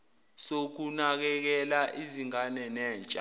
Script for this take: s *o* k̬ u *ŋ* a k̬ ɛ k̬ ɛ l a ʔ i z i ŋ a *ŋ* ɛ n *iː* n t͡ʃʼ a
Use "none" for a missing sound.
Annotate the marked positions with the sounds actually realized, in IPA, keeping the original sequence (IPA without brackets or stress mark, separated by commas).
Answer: o, n, n, ɛː